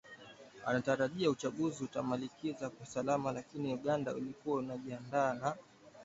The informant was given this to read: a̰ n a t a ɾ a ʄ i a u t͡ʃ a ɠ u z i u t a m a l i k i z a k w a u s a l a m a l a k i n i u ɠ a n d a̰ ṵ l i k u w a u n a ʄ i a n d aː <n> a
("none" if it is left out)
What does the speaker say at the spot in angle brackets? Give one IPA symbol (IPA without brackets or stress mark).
n